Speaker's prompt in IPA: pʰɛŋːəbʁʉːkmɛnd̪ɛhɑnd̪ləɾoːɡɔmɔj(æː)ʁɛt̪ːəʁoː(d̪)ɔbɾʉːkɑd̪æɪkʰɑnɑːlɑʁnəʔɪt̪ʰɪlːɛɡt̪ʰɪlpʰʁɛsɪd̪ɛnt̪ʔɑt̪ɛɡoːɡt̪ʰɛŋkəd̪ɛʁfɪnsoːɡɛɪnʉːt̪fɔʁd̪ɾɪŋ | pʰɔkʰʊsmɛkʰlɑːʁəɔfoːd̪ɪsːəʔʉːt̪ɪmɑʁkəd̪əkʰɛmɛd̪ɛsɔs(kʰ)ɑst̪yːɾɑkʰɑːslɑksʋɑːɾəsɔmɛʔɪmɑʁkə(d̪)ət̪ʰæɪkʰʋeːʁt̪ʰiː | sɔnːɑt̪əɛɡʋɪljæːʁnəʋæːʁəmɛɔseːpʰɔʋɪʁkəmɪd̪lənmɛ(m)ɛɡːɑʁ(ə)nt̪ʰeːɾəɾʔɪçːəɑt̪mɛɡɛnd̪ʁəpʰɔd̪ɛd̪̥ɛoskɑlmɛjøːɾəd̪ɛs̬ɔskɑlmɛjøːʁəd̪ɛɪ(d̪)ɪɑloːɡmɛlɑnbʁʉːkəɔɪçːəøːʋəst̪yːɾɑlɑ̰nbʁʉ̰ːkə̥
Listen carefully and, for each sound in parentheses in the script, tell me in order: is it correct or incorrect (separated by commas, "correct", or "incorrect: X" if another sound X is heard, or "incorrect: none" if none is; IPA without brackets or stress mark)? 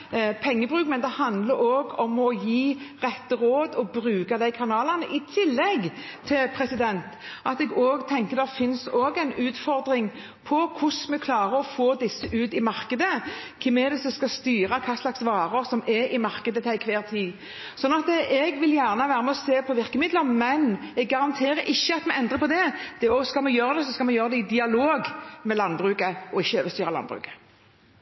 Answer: incorrect: iː, correct, incorrect: k, correct, incorrect: n, incorrect: ɑ, correct